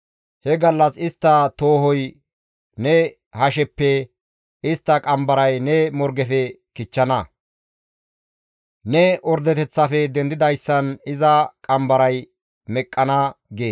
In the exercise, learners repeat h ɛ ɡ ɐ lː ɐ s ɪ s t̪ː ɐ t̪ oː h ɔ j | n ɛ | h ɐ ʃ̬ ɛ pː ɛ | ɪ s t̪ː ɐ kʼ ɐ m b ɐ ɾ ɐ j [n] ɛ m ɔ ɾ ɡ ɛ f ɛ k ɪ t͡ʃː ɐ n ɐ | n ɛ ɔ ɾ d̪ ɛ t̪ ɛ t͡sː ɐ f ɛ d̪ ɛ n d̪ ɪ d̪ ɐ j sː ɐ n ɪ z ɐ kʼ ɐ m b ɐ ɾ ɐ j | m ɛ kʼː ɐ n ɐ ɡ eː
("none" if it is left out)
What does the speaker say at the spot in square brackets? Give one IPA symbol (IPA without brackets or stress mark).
n